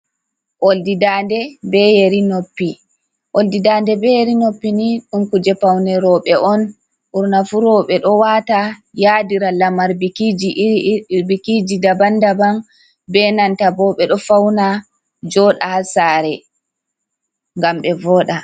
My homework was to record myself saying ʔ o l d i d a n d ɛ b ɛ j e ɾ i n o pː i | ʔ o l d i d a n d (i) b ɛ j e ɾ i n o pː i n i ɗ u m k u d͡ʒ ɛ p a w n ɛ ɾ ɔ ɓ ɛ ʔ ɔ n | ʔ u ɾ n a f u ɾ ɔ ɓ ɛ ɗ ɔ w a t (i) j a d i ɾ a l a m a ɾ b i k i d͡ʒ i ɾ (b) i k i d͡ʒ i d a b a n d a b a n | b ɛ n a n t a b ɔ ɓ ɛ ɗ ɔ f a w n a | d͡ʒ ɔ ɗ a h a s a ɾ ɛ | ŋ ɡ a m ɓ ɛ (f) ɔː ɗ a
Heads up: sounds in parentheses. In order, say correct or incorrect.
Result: incorrect: ɛ, incorrect: a, correct, incorrect: v

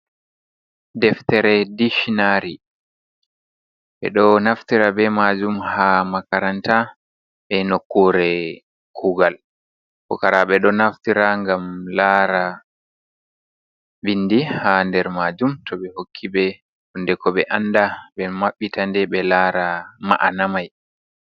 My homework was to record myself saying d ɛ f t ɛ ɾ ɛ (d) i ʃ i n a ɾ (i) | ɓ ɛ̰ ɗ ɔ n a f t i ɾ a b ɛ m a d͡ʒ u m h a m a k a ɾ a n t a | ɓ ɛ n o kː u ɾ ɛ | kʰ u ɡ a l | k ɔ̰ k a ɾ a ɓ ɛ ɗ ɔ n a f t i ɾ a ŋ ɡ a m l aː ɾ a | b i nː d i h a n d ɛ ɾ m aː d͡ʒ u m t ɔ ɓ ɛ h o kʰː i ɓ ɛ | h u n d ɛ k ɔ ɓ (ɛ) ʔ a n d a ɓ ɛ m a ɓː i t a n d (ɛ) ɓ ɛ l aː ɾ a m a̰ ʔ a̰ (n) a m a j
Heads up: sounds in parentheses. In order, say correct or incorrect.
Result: correct, correct, correct, correct, correct

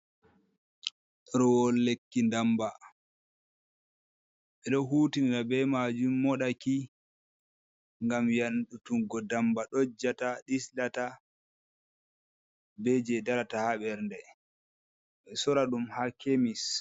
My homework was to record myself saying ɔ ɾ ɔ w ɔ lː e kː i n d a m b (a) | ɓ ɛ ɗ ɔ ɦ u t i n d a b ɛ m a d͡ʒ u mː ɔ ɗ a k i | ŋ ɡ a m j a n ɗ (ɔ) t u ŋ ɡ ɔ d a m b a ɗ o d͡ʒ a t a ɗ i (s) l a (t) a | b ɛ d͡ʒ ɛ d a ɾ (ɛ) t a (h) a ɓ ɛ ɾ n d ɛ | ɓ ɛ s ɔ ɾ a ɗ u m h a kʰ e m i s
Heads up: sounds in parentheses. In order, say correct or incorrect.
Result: correct, incorrect: u, correct, correct, incorrect: a, correct

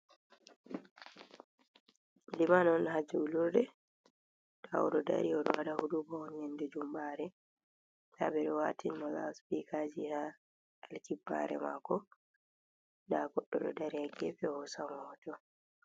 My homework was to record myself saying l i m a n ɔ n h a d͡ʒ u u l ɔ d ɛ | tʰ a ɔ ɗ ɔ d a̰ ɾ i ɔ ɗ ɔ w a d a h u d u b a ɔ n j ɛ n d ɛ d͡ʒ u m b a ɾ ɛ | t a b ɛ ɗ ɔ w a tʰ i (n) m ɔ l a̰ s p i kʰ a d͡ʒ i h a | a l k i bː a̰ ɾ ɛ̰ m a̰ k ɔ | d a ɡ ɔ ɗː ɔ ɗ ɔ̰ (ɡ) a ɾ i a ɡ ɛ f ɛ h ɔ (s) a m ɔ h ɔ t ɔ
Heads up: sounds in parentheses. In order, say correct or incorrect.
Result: correct, incorrect: d, correct

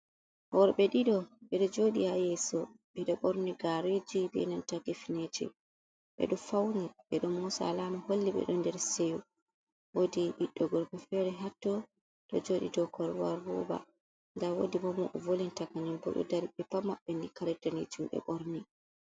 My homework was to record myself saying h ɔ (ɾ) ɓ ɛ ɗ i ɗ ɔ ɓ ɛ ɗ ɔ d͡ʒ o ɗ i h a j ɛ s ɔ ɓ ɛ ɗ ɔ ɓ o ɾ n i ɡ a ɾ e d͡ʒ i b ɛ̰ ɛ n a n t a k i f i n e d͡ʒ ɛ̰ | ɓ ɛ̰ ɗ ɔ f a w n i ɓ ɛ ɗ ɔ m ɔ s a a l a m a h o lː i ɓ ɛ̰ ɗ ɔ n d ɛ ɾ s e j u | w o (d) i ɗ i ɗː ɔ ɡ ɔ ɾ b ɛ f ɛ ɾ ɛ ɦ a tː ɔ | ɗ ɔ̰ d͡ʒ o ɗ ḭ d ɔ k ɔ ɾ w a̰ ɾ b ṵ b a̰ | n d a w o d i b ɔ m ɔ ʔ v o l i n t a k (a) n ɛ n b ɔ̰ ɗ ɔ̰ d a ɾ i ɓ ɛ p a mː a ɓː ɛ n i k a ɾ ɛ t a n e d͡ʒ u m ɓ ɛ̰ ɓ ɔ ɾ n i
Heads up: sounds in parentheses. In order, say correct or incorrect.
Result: correct, correct, correct

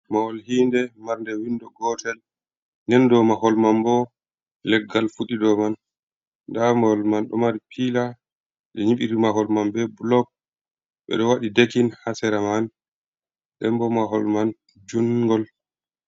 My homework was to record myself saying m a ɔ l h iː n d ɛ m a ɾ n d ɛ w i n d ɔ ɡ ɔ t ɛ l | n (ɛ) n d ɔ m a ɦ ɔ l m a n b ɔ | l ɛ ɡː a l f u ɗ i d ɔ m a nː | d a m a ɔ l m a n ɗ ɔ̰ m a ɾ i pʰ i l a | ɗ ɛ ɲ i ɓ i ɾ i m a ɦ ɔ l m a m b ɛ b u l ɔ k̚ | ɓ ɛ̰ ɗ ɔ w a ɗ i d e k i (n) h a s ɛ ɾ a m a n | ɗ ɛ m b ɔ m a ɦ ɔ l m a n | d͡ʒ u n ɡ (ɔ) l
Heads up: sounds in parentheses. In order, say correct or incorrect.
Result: correct, correct, correct

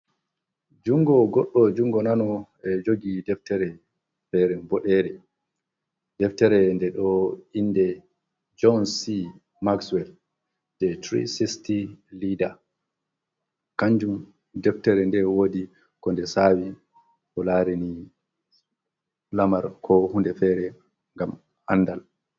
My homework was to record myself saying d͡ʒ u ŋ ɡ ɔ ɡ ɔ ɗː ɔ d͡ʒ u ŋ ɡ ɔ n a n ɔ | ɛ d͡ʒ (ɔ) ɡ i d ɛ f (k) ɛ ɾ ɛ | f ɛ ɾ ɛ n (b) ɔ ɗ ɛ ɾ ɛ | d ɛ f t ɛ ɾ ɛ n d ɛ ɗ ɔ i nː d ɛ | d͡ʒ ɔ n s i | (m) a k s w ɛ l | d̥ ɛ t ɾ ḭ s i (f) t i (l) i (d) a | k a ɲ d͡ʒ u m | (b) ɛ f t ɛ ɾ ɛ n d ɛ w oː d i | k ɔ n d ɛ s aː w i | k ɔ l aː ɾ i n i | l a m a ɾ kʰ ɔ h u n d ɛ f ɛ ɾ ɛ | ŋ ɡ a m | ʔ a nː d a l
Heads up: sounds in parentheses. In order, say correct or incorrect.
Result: incorrect: o, incorrect: t, correct, correct, incorrect: s, correct, correct, incorrect: d

